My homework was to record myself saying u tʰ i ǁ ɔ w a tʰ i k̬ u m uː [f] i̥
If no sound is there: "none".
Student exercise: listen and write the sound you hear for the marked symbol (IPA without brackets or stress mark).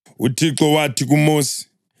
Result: s